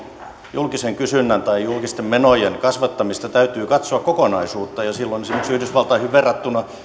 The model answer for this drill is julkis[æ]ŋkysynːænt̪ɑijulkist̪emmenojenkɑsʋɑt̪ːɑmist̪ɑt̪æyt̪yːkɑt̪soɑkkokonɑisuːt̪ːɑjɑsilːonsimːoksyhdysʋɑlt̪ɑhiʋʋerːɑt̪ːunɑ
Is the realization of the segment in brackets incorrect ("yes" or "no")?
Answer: yes